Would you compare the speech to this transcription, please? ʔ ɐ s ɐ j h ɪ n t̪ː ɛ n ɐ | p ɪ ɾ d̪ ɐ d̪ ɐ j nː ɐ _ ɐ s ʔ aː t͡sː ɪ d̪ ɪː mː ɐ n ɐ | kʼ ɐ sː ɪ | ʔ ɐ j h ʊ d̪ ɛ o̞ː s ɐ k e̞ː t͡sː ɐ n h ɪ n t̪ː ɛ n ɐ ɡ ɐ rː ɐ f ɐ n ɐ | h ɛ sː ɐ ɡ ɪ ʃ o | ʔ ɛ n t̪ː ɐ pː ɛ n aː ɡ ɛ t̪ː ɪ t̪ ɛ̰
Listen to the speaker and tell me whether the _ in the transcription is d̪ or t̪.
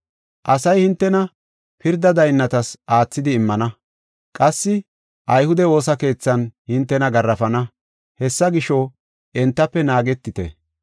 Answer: t̪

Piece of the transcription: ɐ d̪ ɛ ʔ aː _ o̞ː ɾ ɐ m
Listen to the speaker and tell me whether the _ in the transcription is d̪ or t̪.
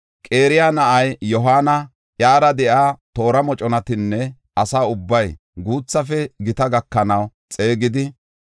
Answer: t̪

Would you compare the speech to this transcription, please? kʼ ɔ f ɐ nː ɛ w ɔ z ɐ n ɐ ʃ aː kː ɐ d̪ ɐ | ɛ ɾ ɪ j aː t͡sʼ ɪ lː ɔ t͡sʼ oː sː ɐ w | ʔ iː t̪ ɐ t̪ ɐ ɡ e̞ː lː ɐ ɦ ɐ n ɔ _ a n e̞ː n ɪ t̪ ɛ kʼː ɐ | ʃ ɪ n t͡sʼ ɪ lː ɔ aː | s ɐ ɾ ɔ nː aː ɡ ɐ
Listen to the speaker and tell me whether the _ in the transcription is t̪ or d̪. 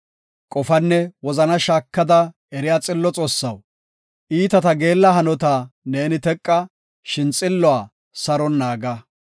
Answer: t̪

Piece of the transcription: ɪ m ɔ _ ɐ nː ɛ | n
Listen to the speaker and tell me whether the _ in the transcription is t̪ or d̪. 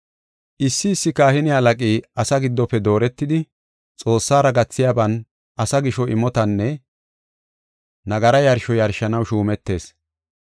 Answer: t̪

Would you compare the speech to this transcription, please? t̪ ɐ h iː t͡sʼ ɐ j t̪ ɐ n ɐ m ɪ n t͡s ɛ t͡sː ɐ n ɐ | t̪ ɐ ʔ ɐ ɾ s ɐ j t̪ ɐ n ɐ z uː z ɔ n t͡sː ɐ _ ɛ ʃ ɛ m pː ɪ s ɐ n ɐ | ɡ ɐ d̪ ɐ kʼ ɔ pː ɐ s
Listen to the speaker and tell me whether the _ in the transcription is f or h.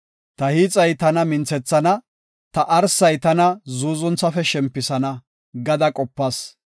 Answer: f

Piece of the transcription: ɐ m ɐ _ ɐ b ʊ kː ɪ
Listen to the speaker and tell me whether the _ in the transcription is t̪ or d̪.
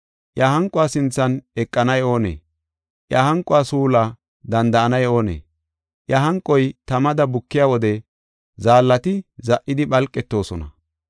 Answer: d̪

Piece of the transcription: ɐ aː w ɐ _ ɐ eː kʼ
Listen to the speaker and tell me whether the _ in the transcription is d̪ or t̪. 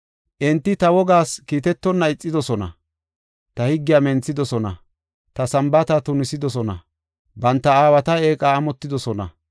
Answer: t̪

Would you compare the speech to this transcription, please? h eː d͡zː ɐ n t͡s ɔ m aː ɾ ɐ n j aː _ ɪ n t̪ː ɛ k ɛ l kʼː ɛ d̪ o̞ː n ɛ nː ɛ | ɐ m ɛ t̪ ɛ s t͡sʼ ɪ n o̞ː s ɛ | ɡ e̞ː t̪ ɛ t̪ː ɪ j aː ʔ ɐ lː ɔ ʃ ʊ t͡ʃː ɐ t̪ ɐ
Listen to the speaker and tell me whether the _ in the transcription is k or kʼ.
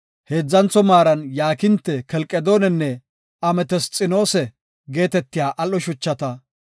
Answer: k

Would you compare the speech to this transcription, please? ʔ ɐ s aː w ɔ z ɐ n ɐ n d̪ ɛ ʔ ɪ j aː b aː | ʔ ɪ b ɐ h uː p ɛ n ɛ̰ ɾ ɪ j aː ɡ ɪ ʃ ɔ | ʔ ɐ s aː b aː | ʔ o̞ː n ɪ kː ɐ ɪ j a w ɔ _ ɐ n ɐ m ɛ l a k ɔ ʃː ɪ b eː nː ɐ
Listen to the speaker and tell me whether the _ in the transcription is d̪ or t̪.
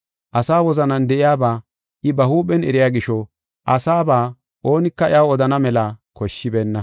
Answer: d̪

